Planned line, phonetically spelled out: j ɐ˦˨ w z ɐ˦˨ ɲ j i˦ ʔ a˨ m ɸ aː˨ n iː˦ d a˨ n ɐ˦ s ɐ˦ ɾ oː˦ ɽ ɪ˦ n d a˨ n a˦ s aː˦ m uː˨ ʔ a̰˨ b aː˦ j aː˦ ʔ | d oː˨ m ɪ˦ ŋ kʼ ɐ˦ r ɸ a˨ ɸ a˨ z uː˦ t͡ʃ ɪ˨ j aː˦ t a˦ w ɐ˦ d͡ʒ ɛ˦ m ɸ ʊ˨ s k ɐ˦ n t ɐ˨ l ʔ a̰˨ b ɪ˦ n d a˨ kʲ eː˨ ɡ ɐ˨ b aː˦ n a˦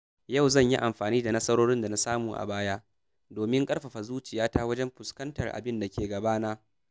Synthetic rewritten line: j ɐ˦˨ w z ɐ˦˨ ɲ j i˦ ʔ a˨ m ɸ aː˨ n iː˦ d a˨ n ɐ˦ s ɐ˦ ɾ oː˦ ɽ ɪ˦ n d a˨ n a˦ s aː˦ m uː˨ ʔ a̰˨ b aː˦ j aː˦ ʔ | d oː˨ m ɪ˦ ŋ kʼ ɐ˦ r ɸ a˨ ɸ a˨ z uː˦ t͡ʃ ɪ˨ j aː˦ t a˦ w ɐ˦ d͡ʒ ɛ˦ m ɸ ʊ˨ s k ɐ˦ n t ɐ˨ r ʔ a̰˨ b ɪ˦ n d a˨ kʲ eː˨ ɡ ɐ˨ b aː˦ n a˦